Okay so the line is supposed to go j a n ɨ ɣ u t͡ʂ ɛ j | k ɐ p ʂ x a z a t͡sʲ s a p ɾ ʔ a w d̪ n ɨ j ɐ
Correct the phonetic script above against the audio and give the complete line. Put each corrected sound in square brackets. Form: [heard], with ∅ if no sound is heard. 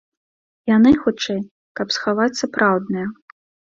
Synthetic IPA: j a n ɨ [x] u t͡ʂ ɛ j | k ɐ p [s] x a [v] a t͡sʲ s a p ɾ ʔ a w d̪ n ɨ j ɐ